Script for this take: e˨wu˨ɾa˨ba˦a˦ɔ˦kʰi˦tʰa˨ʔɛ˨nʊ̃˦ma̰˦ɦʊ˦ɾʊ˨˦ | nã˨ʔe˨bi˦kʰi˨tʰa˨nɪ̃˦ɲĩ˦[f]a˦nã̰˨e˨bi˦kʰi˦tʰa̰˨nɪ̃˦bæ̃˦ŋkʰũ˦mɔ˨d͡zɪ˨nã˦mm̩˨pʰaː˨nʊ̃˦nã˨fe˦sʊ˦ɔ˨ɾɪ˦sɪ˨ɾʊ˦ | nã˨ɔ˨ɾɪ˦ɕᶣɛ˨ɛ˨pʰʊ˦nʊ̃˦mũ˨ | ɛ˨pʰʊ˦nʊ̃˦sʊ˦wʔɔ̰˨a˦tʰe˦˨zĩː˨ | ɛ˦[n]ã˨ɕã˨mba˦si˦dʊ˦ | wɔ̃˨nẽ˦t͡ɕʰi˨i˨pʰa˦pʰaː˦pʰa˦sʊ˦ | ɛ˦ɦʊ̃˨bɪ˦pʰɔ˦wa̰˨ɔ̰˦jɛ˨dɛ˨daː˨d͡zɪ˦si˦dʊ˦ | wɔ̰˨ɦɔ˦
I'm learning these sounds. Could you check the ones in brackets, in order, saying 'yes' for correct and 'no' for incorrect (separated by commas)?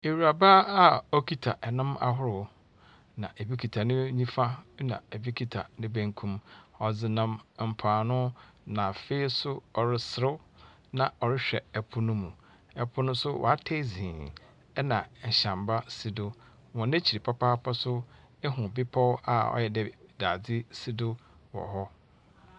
yes, yes